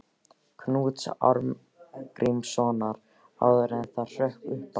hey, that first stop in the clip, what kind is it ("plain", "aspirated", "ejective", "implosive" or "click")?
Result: aspirated